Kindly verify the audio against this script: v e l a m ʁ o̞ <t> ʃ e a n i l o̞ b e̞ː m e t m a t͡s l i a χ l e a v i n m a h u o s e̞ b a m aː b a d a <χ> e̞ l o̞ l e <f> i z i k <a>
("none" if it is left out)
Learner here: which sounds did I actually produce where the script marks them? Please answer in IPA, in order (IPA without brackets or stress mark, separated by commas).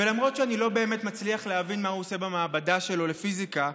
t, ʃ, f, a